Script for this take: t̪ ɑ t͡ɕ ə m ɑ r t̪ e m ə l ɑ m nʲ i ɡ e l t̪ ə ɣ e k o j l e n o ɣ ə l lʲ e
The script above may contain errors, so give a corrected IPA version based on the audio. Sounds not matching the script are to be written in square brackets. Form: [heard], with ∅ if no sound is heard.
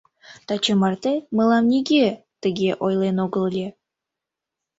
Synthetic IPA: t̪ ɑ t͡ɕ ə m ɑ r t̪ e m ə l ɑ m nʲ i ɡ e [∅] t̪ ə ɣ e [ʔ] o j l e n o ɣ ə l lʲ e